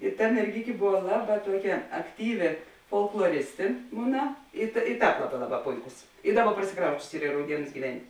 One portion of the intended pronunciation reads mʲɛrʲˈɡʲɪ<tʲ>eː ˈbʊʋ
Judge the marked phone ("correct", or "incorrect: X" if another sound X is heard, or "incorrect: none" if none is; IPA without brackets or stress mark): incorrect: kʲ